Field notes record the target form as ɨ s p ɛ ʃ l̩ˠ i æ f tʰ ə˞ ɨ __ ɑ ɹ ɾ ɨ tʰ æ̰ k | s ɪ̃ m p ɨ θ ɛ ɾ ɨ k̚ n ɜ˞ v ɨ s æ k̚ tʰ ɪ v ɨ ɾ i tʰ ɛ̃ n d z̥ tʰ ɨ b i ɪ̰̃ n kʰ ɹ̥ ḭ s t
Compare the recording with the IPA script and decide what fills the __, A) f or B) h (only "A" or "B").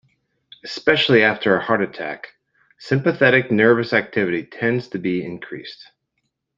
B